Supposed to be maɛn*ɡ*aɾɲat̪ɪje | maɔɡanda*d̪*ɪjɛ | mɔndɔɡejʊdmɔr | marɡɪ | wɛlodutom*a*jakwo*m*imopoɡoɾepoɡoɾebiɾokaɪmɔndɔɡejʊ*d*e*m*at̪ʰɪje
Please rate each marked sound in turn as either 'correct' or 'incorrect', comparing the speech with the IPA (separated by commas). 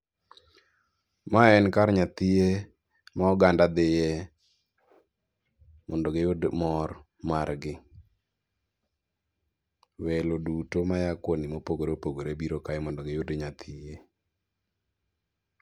incorrect, correct, correct, incorrect, correct, incorrect